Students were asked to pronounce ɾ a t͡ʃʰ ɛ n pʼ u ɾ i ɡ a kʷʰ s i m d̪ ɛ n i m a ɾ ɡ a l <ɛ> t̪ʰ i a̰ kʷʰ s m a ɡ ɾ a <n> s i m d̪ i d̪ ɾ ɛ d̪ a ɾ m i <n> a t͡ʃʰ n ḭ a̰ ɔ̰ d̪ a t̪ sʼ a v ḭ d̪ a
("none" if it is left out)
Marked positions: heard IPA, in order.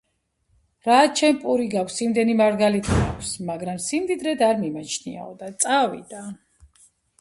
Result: i, m, m

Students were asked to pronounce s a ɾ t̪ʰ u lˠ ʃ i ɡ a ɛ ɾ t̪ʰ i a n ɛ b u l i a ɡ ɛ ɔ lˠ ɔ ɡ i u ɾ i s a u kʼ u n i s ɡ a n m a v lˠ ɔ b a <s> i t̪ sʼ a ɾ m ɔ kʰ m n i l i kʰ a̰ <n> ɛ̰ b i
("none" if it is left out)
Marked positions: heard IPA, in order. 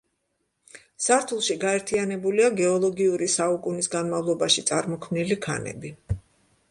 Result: ʃ, n

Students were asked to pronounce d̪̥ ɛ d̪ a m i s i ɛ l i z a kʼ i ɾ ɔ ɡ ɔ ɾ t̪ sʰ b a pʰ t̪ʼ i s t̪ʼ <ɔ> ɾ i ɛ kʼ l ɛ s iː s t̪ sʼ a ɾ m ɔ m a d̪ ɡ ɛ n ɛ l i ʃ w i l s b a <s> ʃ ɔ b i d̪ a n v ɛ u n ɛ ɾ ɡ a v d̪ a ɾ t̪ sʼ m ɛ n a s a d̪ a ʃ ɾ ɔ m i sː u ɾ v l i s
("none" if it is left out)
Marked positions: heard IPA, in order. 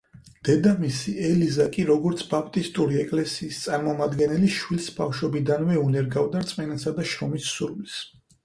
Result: u, f

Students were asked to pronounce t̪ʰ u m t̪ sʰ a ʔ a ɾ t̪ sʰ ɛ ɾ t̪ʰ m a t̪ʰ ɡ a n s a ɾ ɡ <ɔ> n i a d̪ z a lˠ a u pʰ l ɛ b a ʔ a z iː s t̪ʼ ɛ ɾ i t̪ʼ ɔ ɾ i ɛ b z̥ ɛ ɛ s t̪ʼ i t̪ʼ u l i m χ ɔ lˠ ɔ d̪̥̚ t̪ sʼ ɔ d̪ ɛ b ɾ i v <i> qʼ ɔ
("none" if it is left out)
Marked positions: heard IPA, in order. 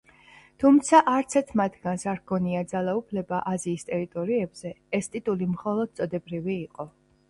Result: ɔ, iː

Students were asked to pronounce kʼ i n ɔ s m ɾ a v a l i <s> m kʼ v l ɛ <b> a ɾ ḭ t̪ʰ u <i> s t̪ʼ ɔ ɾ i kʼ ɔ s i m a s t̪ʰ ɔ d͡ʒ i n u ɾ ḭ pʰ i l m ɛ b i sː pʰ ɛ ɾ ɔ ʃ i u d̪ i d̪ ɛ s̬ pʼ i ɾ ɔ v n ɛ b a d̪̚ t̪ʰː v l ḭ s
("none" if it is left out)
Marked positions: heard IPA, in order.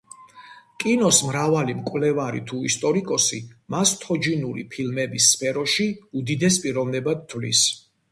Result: none, v, i

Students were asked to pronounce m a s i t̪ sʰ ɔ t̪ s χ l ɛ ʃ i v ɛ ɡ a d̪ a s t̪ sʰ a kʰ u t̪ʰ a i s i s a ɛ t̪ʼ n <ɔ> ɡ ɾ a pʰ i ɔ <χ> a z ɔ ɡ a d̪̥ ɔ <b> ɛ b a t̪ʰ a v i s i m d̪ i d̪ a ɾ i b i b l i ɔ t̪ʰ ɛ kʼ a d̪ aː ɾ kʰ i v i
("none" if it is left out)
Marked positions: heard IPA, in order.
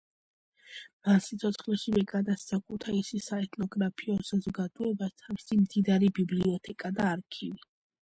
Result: ɔ, s, none

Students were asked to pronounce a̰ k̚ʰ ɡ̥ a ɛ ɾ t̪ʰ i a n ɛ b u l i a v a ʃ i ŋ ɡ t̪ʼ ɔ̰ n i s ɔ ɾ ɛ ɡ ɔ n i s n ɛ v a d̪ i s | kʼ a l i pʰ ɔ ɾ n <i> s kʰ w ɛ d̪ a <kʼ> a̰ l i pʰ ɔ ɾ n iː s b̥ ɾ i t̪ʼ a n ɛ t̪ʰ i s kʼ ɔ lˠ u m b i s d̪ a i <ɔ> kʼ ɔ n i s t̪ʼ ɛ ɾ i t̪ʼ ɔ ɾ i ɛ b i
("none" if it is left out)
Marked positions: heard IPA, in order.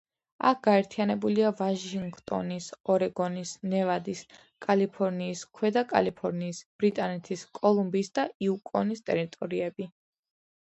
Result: iː, kʼ, u

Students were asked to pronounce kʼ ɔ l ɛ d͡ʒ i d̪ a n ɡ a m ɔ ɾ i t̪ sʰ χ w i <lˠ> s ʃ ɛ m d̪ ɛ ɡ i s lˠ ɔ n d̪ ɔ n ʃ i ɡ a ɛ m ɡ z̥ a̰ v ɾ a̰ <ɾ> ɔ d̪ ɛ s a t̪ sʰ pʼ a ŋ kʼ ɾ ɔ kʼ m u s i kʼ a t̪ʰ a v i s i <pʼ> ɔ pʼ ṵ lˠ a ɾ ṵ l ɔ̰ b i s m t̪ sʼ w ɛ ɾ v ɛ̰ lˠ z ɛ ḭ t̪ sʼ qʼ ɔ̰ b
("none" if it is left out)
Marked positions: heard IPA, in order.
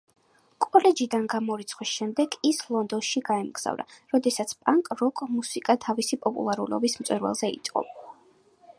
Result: none, ɾ, pʼ

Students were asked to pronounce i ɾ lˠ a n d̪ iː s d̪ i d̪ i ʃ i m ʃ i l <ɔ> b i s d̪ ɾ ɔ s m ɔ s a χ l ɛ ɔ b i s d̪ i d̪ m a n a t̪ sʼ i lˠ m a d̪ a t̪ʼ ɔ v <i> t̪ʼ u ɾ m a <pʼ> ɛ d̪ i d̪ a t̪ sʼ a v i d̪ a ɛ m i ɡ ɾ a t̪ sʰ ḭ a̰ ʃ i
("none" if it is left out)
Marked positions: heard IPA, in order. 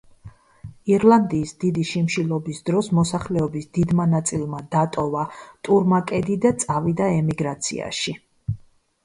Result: ɔ, a, kʼ

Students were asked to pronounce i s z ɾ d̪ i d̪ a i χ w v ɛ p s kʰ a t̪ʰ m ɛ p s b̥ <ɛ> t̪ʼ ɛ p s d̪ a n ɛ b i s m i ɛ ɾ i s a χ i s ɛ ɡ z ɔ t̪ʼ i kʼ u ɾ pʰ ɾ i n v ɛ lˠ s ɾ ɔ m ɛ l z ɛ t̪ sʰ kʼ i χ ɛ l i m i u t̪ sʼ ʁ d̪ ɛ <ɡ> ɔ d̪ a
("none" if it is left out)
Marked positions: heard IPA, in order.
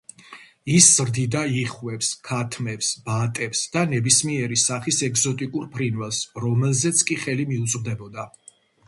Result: a, b

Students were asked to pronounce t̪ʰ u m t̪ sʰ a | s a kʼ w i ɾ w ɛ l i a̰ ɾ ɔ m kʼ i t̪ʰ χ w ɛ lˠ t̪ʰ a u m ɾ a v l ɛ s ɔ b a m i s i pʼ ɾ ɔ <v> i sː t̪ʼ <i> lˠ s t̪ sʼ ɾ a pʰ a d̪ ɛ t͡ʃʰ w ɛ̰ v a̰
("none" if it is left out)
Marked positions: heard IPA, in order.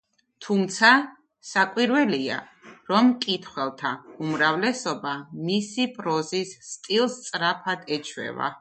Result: z, i

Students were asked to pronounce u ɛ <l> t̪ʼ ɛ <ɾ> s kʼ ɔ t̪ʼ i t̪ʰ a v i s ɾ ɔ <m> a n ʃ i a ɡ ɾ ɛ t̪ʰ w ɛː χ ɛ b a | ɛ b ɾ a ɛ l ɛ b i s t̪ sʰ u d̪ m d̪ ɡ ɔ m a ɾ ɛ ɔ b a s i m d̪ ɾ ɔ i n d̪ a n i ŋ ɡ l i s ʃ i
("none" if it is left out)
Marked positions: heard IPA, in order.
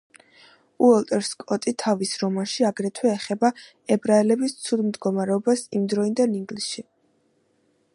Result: l, ɾ, m

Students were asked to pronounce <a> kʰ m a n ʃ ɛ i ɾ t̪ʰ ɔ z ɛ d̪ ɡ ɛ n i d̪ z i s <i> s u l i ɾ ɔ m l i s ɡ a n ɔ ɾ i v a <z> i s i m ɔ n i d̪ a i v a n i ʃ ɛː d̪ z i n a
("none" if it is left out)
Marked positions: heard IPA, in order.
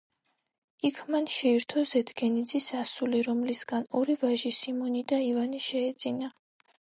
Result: i, a, ʒ

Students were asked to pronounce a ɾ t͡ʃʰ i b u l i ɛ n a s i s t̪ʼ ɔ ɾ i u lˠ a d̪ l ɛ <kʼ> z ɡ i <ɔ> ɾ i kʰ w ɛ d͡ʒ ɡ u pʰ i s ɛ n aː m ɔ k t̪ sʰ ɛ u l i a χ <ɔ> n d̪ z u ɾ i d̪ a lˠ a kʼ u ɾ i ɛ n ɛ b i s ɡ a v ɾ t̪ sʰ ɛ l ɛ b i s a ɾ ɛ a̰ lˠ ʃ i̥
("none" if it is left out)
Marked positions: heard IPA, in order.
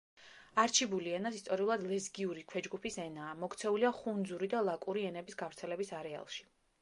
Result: none, u, u

